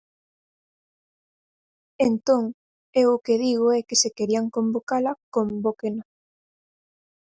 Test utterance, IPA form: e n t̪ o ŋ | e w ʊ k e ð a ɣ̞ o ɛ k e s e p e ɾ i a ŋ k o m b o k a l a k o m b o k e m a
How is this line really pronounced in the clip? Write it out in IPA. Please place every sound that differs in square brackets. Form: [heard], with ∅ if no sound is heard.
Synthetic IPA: e n t̪ o ŋ | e w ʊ k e ð [i] ɣ̞ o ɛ k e s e [k] e ɾ i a ŋ k o m b o k a l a k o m b o k e [n] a

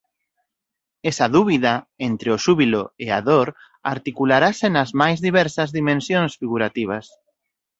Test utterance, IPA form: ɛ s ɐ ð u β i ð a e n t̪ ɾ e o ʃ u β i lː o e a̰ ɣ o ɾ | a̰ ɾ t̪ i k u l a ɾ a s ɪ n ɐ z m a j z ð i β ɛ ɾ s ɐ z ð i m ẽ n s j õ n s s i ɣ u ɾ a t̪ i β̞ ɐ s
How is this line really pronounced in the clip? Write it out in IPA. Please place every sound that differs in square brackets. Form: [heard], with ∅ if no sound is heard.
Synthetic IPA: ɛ s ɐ ð u β i ð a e n t̪ ɾ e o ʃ u β i [l] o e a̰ [ð] o ɾ | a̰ ɾ t̪ i k u l a ɾ a s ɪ n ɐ z m a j z ð i β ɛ ɾ s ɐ z ð i m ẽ n s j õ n s [f] i ɣ u ɾ a t̪ i β̞ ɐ s

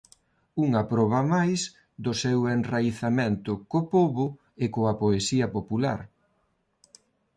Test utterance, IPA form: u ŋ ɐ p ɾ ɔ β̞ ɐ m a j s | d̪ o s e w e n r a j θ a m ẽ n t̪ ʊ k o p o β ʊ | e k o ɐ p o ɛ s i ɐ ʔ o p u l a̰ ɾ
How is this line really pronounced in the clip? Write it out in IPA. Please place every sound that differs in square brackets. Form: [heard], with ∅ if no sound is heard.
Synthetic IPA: u ŋ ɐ p ɾ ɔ β̞ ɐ m a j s | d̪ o s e w e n r a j θ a m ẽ n t̪ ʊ k o p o β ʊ | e k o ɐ p o [e] s i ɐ [p] o p u l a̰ ɾ

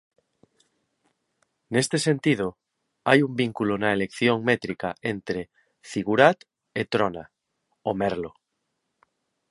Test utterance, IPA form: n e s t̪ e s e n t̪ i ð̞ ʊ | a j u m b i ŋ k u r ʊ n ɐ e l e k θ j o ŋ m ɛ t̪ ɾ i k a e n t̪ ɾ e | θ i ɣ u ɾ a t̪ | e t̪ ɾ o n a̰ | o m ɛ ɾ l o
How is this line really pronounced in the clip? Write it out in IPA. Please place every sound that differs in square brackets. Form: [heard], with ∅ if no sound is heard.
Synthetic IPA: n e s t̪ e s e n t̪ i ð̞ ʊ | a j u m b i ŋ k u [l] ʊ n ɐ e l e k θ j o ŋ m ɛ t̪ ɾ i k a e n t̪ ɾ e | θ i ɣ u ɾ a t̪ | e t̪ ɾ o n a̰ | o m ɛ ɾ l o

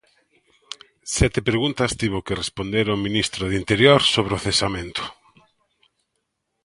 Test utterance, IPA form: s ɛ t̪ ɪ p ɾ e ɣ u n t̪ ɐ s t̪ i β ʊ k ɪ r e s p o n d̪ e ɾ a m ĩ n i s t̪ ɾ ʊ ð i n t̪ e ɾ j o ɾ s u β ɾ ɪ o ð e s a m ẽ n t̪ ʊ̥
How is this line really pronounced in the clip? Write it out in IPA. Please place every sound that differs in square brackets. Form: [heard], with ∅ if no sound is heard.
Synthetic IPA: s ɛ t̪ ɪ p ɾ e ɣ u n t̪ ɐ s t̪ i β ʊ k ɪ r e s p o n d̪ e ɾ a m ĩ n i s t̪ ɾ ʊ ð i n t̪ e ɾ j o ɾ s [o] β ɾ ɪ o [θ] e s a m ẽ n t̪ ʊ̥

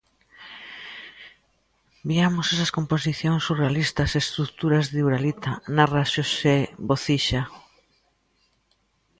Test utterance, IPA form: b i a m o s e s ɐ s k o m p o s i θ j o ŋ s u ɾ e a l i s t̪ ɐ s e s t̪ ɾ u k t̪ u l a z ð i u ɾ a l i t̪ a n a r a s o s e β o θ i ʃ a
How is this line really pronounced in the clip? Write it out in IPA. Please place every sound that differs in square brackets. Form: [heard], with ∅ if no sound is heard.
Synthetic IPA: b i a m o s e s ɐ s k o m p o s i θ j o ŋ s u [r] e a l i s t̪ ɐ s e s t̪ ɾ u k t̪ u [ɾ] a z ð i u ɾ a l i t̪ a n a r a [ʃ] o s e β o θ i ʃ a

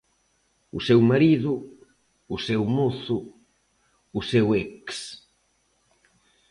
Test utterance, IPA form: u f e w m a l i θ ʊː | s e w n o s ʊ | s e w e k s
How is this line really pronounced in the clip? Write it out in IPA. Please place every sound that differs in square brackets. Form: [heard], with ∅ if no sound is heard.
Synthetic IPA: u [s] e w m a [ɾ] i [ð] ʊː | s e w [m] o [θ] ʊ | s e w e k s

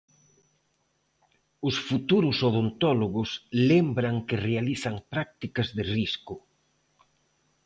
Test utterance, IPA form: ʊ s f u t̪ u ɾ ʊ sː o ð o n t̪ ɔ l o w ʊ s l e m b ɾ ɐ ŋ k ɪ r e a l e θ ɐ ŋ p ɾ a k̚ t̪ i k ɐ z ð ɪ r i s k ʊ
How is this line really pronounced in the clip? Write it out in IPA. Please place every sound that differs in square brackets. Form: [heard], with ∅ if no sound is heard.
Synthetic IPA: ʊ s f u t̪ u ɾ ʊ [s] o ð o n t̪ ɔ l o [ɣ] ʊ s l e m b ɾ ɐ ŋ k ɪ r e a l [i] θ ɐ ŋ p ɾ a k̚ t̪ i k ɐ z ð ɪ r i s k ʊ

